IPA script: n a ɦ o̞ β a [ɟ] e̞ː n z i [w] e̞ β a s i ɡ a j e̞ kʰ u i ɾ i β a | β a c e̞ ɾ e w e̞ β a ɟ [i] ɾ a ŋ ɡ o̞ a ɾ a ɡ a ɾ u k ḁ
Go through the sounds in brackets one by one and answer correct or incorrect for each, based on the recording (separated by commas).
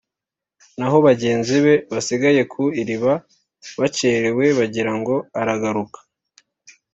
correct, incorrect, correct